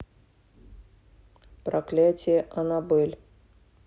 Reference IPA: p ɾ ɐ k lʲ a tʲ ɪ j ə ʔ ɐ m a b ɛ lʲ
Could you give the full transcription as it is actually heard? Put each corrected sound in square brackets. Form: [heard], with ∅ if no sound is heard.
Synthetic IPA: p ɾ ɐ k lʲ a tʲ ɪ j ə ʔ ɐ [n] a b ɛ lʲ